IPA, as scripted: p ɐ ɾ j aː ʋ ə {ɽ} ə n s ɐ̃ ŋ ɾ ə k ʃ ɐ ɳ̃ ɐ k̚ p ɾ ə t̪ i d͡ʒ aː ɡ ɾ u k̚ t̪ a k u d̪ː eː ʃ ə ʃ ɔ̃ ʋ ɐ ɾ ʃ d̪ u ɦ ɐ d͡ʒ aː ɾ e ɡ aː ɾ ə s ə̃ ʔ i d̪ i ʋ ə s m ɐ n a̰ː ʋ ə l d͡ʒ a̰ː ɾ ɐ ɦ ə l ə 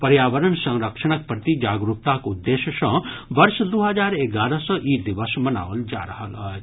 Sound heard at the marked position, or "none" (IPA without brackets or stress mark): ɾ